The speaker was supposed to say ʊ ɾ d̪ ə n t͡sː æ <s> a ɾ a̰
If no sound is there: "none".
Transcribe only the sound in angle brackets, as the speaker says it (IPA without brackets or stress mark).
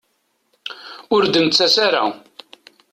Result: s